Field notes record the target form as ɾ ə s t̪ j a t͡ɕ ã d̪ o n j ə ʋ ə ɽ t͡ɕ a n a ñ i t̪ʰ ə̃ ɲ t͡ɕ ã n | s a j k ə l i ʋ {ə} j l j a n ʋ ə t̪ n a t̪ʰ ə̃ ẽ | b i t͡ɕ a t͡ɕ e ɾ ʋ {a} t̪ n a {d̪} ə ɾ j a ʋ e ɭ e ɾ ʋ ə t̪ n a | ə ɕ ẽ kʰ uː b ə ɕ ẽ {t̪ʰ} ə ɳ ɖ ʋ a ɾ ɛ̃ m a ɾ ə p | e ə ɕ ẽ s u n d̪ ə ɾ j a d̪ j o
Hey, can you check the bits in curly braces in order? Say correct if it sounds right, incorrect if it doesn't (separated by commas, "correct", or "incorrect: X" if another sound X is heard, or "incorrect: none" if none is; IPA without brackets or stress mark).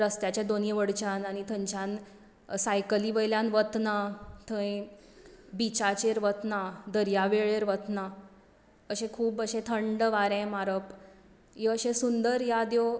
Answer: correct, incorrect: ə, correct, correct